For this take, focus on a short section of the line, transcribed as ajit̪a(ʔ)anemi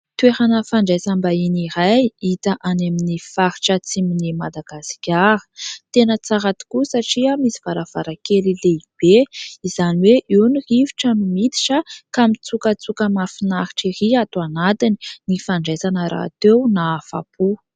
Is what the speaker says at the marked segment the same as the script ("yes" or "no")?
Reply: yes